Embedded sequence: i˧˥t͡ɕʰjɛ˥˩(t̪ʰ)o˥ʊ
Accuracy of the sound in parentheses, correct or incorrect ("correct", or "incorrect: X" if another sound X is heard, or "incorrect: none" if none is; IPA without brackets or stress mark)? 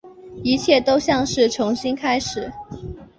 incorrect: t̪